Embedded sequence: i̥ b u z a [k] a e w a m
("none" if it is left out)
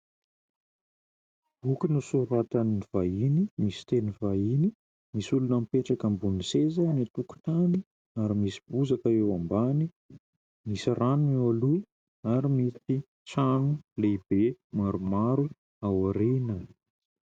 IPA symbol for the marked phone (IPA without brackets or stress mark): k